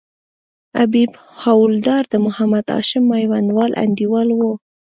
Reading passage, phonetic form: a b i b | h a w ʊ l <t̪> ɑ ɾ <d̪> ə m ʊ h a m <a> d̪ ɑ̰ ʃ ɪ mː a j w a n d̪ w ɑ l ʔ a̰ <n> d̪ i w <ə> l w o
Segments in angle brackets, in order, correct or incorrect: incorrect, correct, correct, correct, incorrect

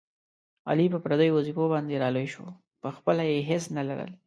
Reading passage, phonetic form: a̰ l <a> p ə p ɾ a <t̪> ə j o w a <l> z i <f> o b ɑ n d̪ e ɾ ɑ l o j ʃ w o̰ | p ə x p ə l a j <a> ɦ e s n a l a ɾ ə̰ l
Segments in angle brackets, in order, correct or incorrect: incorrect, incorrect, incorrect, correct, incorrect

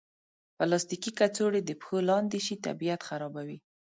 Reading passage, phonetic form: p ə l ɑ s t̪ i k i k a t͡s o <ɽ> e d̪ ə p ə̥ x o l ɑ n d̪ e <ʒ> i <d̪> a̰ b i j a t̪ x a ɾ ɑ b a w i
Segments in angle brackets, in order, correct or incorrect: correct, incorrect, incorrect

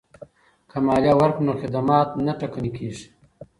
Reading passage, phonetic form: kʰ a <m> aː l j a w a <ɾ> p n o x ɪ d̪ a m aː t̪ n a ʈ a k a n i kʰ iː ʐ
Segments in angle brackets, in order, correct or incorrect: correct, correct

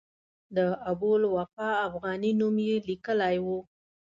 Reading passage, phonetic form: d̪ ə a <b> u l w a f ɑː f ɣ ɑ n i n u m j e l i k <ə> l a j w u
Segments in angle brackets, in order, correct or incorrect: correct, correct

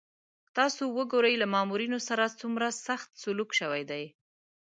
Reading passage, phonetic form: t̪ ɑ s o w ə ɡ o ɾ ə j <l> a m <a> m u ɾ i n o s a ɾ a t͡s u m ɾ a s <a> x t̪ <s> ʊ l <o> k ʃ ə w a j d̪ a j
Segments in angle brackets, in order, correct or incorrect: correct, incorrect, correct, correct, incorrect

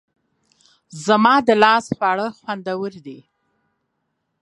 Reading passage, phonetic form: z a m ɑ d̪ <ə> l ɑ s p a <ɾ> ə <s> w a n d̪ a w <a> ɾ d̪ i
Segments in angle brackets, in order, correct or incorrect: correct, incorrect, incorrect, incorrect

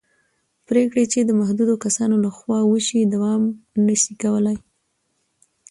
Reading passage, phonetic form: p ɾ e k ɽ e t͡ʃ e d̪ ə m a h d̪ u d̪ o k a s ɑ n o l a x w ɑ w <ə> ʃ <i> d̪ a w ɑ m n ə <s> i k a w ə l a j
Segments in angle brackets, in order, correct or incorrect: correct, correct, incorrect

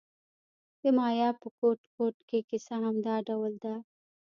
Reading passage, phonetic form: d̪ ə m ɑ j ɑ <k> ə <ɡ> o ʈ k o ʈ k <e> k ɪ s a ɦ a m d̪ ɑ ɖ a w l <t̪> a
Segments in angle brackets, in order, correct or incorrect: incorrect, incorrect, correct, incorrect

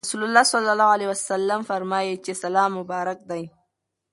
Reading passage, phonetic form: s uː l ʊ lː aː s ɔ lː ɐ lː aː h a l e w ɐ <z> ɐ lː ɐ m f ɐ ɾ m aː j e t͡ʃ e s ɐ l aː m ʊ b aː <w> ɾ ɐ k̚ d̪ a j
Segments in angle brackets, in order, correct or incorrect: incorrect, incorrect

